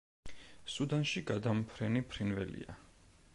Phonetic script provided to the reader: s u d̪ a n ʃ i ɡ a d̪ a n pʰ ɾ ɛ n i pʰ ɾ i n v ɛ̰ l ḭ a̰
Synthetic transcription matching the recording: s u d̪ a n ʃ i ɡ a d̪ a m pʰ ɾ ɛ n i pʰ ɾ i n v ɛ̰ l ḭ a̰